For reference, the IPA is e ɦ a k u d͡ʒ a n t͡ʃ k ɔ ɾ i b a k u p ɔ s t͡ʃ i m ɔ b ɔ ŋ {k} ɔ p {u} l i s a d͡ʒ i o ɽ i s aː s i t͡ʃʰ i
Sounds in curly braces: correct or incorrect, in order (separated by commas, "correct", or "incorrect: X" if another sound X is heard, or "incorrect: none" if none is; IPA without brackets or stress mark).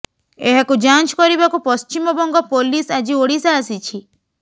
incorrect: ɡ, incorrect: o